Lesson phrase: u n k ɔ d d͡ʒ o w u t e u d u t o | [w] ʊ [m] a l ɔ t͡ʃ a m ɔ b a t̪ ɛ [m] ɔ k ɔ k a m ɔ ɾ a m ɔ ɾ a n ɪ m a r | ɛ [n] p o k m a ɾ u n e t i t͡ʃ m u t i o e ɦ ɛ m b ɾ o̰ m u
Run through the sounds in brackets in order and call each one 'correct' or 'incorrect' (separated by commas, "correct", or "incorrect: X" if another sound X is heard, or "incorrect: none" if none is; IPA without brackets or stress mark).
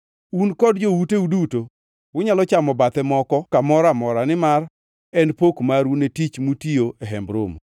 correct, incorrect: ɲ, correct, correct